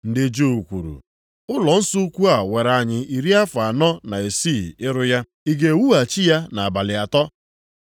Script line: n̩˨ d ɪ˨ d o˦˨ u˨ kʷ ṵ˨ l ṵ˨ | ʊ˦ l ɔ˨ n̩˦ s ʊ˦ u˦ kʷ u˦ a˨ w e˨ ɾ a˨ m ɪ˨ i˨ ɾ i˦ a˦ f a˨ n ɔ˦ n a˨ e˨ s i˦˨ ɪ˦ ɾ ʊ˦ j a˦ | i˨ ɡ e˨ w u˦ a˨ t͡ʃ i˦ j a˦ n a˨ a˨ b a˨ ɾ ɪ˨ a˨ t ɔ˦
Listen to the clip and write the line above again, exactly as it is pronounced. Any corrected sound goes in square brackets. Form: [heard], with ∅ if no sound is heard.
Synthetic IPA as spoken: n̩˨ d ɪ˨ [d͡ʒ] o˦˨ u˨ kʷ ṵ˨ [ɾ] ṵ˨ | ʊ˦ l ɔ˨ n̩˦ s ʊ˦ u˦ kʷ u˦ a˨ w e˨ ɾ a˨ [ɲ] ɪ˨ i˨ ɾ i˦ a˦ f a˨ n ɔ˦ n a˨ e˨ s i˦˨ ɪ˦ ɾ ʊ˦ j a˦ | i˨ ɡ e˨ w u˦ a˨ t͡ʃ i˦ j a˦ n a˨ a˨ b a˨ [l] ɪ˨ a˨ t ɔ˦